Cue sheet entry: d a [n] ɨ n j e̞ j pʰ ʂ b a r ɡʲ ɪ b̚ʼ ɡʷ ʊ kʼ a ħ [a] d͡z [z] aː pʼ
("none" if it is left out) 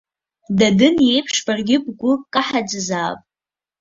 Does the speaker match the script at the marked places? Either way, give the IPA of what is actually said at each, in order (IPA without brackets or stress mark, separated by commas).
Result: d, a, z